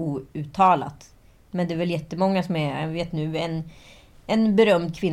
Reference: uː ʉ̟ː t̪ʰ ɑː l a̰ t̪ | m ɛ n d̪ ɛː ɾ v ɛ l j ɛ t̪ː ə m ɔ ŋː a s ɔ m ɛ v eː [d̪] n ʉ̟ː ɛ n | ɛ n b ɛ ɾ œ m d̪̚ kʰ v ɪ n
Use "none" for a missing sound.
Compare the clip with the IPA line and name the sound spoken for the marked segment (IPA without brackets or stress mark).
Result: t̪